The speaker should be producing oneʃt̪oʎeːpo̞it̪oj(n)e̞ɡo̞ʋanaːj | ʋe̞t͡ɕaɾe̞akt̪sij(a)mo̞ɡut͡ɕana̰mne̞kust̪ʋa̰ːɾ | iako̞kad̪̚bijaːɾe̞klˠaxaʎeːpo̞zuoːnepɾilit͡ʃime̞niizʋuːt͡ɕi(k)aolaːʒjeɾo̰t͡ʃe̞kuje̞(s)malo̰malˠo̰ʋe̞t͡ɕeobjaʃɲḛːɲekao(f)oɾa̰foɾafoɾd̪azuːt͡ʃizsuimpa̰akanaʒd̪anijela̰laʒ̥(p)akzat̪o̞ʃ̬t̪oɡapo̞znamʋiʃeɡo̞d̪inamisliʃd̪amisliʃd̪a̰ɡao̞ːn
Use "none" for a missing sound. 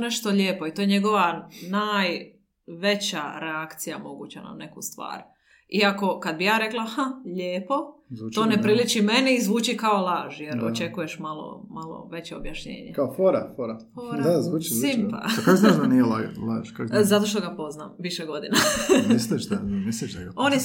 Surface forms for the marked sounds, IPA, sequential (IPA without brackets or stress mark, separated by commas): ɲ, a, k, ʃ, f, k